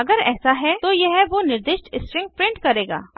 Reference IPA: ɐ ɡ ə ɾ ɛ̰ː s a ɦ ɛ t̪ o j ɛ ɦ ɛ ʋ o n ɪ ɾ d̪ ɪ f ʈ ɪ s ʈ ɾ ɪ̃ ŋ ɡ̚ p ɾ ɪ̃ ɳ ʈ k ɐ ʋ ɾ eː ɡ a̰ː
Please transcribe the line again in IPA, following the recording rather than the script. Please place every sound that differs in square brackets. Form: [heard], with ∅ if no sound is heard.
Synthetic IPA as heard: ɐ ɡ ə ɾ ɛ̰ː s a ɦ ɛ t̪ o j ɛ ɦ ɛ ʋ o n ɪ ɾ d̪ ɪ [ʃ] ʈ ɪ s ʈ ɾ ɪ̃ ŋ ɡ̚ p ɾ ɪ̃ ɳ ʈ k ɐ [∅] ɾ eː ɡ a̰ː